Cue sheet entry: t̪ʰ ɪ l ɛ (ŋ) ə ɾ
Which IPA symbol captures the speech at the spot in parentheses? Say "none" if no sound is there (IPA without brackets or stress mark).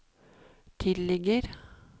ɡ